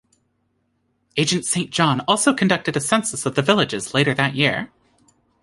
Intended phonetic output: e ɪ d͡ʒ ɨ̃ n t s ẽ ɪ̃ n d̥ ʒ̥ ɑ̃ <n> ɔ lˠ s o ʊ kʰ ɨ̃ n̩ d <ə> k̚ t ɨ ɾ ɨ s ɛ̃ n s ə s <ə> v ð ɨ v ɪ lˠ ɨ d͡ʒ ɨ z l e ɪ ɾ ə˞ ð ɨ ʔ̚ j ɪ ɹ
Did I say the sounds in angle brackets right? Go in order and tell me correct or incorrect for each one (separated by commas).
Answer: correct, incorrect, incorrect